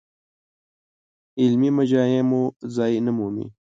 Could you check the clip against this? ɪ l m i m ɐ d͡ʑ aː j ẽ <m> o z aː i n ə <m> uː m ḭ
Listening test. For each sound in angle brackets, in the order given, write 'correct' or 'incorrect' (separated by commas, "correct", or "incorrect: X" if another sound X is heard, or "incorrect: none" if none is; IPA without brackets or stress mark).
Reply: correct, correct